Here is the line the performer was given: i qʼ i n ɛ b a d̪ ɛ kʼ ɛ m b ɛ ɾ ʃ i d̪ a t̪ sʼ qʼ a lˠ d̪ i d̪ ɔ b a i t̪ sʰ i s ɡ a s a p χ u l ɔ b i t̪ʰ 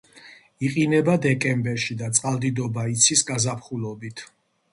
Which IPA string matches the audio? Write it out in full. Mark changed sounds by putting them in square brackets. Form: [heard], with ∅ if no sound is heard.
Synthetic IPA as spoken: i qʼ i n ɛ b a d̪ ɛ kʼ ɛ m b ɛ ɾ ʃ i d̪ a t̪ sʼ qʼ a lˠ d̪ i d̪ ɔ b a i t̪ sʰ i s ɡ a [z] a p χ u l ɔ b i t̪ʰ